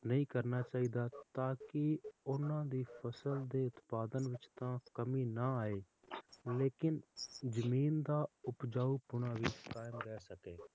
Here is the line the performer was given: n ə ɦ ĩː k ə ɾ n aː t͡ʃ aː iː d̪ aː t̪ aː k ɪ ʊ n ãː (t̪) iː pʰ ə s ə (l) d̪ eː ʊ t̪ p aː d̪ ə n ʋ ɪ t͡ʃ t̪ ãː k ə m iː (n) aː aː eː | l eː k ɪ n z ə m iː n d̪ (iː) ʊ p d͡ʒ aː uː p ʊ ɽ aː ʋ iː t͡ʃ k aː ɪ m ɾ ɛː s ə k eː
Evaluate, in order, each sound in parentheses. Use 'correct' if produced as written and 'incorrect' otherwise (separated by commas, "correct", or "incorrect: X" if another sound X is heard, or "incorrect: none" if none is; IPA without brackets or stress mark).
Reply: incorrect: d̪, correct, correct, incorrect: aː